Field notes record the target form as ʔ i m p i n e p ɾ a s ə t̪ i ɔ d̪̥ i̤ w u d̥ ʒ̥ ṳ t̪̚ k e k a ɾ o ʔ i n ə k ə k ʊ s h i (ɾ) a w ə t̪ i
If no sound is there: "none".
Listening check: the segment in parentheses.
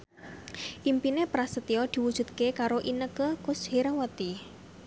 ɾ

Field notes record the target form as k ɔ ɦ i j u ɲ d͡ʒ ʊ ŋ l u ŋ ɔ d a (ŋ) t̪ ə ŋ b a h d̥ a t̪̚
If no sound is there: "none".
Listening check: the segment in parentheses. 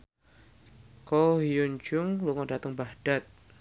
none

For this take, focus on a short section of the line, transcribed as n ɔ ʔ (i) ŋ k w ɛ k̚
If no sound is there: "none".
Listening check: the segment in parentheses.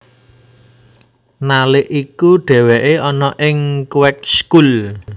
ɪ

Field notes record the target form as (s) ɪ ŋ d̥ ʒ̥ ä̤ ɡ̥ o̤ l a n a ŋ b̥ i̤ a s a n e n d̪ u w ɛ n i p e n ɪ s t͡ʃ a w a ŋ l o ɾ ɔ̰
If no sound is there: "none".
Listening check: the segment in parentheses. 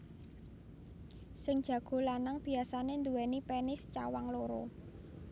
s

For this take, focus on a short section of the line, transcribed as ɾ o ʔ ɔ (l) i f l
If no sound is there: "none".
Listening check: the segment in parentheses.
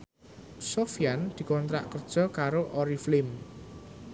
ɾ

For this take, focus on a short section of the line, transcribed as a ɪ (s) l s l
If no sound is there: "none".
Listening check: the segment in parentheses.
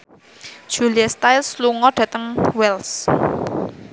none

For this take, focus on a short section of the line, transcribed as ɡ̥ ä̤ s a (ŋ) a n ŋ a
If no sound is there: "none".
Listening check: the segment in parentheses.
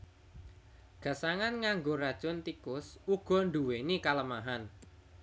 ŋ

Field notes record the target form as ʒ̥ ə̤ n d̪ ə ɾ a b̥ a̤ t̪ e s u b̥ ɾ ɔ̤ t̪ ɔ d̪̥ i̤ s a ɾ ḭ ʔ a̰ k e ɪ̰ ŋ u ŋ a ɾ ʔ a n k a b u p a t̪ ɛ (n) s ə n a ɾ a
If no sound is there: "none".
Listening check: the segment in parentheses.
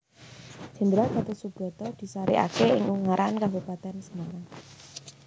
n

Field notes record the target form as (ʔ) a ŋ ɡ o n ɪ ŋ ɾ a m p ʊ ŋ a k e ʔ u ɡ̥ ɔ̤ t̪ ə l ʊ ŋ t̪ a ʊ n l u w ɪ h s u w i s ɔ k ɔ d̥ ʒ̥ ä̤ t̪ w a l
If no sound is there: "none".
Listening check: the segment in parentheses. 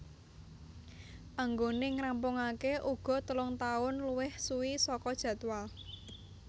ʔ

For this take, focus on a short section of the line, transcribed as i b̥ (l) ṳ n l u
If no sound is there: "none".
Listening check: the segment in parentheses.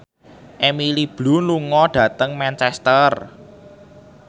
l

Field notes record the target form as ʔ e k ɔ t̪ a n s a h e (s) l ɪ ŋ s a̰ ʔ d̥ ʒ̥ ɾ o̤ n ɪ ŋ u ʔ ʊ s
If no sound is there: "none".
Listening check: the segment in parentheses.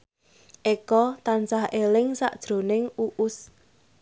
none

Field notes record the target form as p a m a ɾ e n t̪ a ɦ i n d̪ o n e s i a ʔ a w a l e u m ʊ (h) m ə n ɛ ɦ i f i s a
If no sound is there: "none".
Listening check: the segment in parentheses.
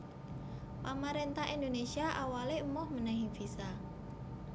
h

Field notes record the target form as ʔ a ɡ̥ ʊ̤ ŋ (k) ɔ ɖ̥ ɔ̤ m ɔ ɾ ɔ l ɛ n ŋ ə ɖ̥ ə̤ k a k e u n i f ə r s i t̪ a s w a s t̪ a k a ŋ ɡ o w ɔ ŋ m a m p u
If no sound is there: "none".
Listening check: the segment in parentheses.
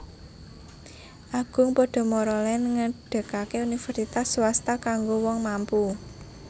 p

